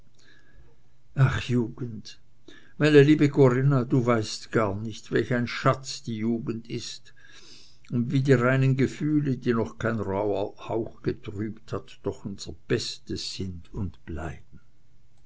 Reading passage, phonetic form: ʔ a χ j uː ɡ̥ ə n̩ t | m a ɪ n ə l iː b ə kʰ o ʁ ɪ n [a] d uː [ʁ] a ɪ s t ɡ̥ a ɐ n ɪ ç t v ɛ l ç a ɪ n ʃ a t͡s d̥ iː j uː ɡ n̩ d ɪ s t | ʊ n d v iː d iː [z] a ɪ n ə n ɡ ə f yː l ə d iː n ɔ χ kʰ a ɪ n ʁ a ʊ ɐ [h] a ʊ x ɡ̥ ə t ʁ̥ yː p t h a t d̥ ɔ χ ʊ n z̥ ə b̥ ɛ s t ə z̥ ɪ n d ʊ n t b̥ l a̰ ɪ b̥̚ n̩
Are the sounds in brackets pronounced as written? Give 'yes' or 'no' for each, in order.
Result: yes, no, no, yes

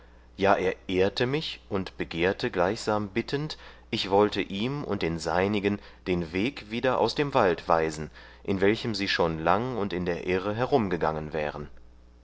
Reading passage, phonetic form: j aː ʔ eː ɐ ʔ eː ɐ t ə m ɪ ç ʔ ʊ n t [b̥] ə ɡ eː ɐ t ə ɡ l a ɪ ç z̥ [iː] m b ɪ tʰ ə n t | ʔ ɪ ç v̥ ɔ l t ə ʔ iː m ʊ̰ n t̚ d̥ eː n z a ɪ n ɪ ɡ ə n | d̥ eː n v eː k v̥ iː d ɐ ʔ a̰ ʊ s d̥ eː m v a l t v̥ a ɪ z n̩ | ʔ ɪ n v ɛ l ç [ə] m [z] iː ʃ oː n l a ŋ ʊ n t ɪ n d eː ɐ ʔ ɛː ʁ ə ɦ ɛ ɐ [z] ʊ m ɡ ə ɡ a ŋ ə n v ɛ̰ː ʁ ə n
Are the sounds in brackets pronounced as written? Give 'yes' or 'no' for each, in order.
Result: yes, no, yes, yes, no

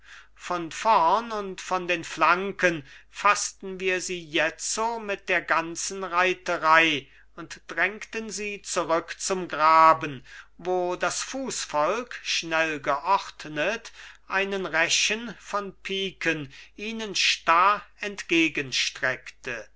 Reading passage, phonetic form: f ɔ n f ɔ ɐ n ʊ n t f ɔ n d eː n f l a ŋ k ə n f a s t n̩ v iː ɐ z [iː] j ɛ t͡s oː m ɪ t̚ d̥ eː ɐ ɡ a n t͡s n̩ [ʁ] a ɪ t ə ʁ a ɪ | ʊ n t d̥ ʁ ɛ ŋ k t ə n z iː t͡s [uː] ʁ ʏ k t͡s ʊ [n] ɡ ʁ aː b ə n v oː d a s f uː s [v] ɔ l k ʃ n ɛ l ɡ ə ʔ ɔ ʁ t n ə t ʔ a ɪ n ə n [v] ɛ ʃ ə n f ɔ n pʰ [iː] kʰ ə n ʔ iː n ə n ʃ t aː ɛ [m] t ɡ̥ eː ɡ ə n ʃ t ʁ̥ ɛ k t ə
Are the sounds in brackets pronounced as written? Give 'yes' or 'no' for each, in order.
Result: yes, yes, no, no, no, no, yes, no

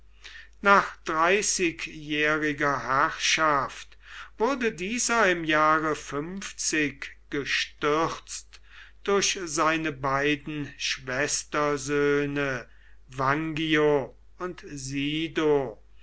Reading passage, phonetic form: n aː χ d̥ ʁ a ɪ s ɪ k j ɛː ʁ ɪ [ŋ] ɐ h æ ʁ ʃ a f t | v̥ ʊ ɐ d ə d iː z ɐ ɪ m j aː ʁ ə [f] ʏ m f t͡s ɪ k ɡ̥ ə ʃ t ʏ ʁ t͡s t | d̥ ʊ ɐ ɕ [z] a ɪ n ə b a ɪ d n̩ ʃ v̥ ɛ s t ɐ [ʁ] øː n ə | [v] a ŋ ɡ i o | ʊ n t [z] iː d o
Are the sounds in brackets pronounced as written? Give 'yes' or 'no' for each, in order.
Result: no, yes, yes, no, yes, yes

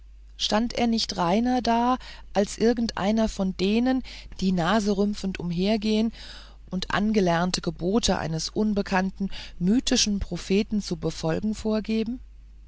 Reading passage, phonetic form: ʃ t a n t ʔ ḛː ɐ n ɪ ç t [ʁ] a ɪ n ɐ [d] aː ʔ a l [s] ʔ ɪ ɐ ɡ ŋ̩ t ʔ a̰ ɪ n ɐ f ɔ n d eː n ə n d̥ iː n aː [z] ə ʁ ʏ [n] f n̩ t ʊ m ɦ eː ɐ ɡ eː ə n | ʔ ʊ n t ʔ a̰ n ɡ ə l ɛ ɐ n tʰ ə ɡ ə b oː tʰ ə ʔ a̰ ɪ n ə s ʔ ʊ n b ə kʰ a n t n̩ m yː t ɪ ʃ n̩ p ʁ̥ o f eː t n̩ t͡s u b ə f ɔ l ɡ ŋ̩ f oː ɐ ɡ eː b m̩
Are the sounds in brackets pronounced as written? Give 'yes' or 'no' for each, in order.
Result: yes, yes, yes, yes, no

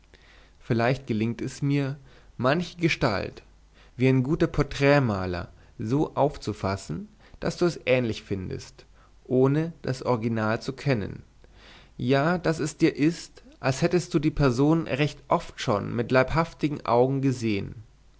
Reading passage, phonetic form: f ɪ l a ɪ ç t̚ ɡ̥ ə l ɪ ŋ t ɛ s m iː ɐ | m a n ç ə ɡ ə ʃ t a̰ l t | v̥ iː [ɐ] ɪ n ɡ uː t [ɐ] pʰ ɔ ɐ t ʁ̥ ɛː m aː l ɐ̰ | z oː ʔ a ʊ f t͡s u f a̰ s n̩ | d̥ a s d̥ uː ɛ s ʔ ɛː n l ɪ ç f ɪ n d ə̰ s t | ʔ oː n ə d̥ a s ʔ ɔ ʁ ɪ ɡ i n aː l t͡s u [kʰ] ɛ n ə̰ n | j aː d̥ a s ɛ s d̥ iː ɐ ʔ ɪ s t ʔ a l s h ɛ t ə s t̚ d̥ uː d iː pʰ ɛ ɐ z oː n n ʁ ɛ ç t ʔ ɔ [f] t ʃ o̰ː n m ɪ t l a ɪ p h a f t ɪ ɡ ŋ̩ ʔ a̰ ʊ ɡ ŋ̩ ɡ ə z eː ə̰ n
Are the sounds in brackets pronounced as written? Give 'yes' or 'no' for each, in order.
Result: no, yes, yes, yes

